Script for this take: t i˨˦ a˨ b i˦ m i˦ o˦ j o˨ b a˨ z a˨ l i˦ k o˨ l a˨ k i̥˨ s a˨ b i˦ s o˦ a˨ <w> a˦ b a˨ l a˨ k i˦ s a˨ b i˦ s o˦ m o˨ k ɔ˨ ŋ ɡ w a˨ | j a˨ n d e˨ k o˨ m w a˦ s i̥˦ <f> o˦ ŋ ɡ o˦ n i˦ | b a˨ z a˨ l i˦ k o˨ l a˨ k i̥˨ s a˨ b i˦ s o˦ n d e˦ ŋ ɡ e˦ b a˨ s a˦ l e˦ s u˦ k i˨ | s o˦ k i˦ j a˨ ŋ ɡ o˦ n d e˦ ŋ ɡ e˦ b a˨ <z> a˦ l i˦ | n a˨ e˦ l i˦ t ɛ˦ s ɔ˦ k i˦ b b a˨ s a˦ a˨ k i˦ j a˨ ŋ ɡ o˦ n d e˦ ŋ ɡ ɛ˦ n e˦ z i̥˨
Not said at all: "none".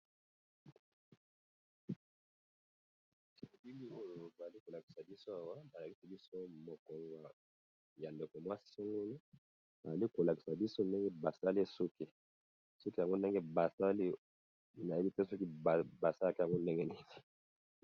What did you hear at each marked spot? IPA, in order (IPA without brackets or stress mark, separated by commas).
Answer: w, s, s